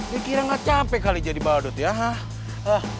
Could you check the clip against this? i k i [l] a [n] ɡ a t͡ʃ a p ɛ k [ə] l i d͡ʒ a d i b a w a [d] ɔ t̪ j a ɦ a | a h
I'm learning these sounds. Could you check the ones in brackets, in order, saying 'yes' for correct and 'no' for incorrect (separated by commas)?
no, no, no, yes